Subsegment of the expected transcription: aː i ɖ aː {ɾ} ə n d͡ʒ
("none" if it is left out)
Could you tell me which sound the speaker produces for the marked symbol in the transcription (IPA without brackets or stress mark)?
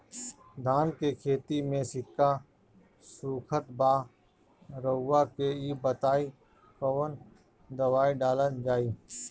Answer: l